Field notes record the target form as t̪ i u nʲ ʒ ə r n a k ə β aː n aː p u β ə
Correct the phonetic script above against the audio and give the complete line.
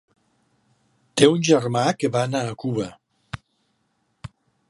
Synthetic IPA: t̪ e u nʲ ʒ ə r m a k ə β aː n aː k u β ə